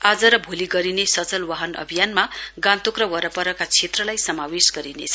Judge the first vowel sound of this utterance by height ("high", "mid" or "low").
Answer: low